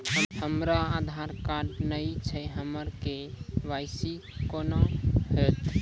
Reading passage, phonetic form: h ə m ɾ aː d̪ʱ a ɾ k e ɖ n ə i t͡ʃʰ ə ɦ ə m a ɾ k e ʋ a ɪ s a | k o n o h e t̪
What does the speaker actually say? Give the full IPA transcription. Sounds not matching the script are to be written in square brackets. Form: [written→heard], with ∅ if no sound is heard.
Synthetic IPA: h ə m ɾ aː d̪ʱ a ɾ k [e→a] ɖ n ə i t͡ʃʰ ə ɦ ə m [a→ə] ɾ k e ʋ a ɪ s [a→i] | k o n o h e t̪